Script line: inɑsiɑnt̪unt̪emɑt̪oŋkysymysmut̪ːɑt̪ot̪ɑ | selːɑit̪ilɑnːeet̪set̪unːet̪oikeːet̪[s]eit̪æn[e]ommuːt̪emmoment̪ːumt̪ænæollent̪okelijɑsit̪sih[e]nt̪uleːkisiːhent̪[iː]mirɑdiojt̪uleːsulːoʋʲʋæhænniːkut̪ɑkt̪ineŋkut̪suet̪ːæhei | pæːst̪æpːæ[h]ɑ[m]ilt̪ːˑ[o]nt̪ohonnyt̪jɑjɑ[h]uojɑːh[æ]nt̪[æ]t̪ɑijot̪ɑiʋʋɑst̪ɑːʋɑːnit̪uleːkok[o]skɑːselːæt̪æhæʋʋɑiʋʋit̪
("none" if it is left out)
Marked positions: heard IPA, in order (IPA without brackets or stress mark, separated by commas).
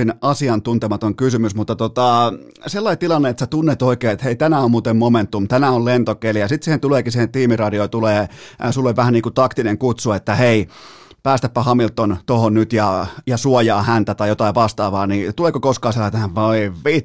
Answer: h, æ, e, iː, h, m, o, s, æ, æ, o